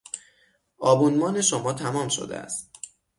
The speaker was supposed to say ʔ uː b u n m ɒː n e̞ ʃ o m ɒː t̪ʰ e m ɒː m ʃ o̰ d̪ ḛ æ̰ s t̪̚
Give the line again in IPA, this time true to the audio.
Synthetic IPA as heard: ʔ ɒː b u n m ɒː n e̞ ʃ o m ɒː t̪ʰ æ m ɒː m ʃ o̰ d̪ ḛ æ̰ s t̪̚